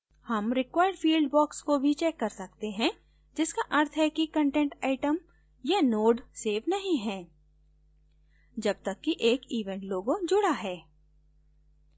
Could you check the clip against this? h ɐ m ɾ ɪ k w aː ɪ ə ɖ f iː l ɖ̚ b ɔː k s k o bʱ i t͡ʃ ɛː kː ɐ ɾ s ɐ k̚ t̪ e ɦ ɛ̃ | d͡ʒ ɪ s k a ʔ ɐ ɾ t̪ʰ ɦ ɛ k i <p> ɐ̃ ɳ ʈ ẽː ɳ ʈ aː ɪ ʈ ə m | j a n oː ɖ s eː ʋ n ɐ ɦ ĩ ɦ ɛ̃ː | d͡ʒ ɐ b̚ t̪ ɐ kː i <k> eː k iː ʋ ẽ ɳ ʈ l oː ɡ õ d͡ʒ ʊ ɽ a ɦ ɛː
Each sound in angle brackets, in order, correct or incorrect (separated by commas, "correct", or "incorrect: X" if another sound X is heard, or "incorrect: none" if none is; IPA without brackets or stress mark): incorrect: k, incorrect: ʔ